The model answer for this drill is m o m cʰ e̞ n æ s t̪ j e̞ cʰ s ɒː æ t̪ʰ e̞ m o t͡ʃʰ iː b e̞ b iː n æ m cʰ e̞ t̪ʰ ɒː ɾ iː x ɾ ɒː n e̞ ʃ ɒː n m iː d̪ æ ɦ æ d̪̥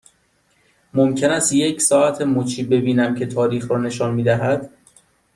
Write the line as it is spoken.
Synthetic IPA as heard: m o m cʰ e̞ n æ s t̪ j e̞ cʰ s ɒː æ t̪ʰ e̞ m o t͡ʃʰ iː b e̞ b iː n æ m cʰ e̞ t̪ʰ ɒː ɾ iː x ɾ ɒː n e̞ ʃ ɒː n m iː d̪ æ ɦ æ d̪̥